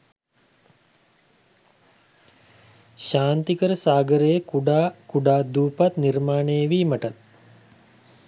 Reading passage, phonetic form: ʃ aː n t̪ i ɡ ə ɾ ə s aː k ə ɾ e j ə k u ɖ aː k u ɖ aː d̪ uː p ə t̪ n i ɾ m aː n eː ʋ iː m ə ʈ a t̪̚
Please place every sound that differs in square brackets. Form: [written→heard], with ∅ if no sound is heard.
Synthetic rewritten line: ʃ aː n t̪ i [ɡ→k] ə ɾ ə s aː [k→ɡ] ə ɾ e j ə k u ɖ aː k u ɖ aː d̪ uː p [ə→a] t̪ n i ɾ m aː n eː ʋ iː m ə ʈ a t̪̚